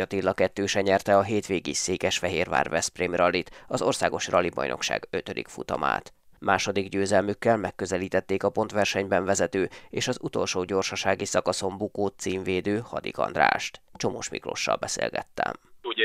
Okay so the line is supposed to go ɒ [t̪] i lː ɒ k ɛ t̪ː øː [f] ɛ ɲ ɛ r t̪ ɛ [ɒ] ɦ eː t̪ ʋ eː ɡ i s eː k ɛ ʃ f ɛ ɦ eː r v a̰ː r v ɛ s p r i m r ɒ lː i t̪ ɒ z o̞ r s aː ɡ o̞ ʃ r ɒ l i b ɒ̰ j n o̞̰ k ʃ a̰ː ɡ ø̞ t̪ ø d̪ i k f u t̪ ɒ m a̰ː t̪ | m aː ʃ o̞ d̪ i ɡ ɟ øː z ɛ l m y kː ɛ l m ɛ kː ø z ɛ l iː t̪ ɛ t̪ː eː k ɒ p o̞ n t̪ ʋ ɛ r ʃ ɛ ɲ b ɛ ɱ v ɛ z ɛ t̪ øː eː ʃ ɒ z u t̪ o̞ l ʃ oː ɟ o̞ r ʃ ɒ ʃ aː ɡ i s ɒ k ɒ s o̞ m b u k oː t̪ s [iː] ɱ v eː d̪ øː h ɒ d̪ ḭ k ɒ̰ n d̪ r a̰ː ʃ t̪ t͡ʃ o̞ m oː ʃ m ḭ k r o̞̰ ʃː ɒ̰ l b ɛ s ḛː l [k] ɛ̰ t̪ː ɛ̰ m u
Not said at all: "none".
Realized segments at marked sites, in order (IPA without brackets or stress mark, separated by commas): t̪, ʃ, ɒ, iː, ɡ